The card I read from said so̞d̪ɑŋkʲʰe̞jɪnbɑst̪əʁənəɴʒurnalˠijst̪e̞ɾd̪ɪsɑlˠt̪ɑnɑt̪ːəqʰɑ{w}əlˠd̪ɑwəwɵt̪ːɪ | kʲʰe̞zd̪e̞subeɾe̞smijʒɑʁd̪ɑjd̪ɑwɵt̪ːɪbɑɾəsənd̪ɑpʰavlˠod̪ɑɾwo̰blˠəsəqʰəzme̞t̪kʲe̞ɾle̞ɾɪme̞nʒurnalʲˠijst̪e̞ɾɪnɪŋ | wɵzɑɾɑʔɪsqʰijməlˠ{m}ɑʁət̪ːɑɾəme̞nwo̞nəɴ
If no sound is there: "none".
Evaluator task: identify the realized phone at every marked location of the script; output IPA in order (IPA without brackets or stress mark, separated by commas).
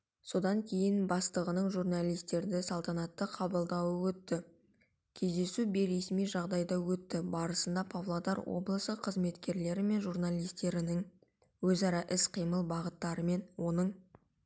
b, b